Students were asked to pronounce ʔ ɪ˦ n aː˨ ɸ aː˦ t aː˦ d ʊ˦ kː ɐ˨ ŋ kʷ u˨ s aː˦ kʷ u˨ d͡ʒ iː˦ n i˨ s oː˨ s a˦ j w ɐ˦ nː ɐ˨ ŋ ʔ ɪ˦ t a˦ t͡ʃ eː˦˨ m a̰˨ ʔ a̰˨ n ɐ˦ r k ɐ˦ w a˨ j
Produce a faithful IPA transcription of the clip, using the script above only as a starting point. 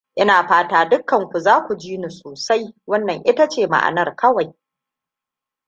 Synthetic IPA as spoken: ʔ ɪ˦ n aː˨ ɸ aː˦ t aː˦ d ʊ˦ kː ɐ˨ ŋ kʷ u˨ z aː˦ kʷ u˨ d͡ʒ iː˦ n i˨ s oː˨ s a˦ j w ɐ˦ nː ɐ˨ ŋ ʔ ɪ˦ t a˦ t͡ʃ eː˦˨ m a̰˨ ʔ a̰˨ n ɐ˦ r k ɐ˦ w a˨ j